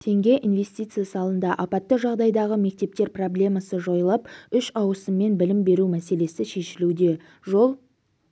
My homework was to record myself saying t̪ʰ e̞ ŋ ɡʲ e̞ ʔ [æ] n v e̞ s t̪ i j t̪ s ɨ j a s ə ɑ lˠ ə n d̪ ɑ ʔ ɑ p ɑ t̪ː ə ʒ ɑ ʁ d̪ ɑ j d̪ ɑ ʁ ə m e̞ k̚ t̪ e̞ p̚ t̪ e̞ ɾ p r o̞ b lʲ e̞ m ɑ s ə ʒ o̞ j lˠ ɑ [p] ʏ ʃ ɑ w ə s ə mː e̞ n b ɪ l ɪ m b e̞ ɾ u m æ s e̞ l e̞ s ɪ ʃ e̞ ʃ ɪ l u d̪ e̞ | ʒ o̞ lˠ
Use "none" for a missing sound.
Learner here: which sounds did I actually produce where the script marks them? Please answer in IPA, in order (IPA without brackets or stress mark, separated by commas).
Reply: i, p